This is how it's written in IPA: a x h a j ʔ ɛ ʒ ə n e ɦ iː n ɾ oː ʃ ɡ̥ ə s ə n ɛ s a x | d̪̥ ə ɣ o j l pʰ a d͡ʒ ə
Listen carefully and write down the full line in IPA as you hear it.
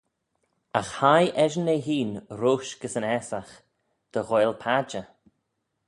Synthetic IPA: a x h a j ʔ ɛ ʒ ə n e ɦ iː n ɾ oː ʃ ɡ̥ ə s ə n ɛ s a x | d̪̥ ə ɣ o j l pʰ a d͡ʒ ə